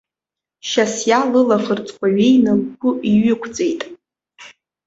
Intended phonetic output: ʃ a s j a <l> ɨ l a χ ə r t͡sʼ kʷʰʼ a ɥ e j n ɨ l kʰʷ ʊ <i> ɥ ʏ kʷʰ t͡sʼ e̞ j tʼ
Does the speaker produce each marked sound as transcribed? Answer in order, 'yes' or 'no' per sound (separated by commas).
yes, yes